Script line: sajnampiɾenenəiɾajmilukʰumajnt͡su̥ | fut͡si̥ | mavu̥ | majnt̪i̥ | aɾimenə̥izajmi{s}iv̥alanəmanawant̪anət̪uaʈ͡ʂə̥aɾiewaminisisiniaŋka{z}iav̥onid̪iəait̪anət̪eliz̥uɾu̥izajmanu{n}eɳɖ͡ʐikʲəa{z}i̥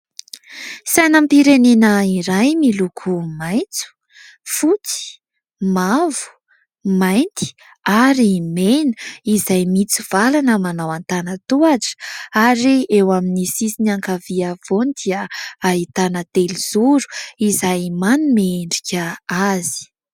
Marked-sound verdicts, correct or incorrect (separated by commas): incorrect, incorrect, incorrect, correct